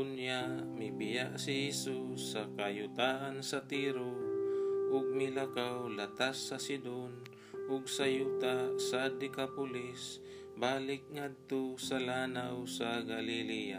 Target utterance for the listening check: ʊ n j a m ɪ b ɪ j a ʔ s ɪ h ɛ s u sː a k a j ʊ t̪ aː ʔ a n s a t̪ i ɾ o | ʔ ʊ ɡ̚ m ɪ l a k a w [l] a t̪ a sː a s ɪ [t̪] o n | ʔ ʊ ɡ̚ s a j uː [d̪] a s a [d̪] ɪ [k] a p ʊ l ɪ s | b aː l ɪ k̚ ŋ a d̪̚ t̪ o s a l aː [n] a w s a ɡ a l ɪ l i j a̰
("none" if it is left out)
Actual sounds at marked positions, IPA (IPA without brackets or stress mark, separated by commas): l, d̪, t̪, d̪, k, n